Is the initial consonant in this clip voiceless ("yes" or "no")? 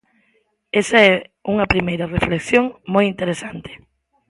yes